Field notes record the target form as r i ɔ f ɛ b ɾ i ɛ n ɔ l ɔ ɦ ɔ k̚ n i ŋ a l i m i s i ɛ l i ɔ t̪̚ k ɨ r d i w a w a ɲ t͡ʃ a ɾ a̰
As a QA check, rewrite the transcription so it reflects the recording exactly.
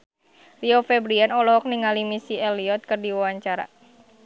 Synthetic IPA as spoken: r i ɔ f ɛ b ɾ i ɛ n ɔ l ɔ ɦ ɔ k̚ n i ŋ a l i m i s i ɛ l i ɔ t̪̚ k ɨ r d i w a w a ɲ t͡ʃ a ɾ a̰